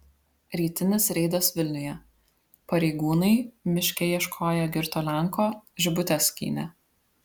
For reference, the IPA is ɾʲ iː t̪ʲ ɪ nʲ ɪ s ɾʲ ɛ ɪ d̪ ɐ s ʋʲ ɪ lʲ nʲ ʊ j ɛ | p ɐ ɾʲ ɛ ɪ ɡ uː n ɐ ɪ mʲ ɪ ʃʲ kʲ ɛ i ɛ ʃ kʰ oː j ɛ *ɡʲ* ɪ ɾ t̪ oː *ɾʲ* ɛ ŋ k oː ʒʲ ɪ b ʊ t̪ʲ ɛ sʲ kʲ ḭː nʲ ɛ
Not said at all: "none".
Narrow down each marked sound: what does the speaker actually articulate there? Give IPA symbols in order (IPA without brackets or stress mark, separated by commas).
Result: ɡʲ, lʲ